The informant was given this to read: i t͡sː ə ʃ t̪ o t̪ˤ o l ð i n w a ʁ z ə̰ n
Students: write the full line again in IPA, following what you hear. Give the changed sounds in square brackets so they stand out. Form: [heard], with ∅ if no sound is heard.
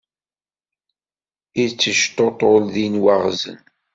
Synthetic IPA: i t͡sː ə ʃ t̪ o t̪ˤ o l ð i n w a ʁ z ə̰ n